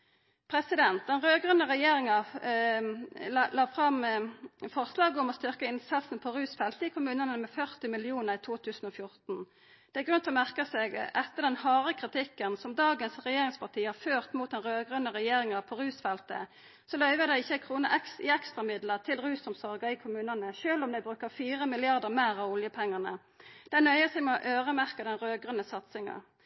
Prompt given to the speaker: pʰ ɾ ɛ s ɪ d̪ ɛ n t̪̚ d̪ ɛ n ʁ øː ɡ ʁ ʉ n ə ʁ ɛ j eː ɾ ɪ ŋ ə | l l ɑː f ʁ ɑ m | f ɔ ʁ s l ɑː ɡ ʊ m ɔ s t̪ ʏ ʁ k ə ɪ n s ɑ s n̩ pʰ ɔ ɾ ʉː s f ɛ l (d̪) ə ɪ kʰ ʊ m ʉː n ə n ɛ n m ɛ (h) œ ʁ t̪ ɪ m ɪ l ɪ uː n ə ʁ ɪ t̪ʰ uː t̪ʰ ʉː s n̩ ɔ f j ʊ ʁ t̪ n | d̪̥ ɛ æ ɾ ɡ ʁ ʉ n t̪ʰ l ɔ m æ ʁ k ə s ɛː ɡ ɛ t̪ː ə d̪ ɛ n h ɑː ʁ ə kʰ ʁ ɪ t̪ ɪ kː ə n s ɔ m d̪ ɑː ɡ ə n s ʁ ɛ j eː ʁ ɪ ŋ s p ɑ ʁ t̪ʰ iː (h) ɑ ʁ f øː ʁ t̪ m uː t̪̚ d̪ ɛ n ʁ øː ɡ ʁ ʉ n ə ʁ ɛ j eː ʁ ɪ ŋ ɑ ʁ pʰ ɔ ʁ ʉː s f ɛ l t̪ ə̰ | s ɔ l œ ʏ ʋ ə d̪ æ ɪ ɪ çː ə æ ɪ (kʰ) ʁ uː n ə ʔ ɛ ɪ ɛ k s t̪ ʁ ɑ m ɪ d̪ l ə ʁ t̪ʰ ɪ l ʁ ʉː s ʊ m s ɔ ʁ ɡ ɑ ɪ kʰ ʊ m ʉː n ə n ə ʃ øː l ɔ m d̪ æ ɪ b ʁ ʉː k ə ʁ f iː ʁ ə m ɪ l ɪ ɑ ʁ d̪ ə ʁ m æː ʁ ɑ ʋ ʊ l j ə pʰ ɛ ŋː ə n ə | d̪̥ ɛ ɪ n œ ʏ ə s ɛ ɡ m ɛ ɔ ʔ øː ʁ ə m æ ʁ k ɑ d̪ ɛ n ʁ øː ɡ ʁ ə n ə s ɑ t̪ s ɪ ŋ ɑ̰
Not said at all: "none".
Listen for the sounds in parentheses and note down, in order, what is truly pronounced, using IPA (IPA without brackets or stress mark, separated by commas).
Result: t̪, f, h, kʰ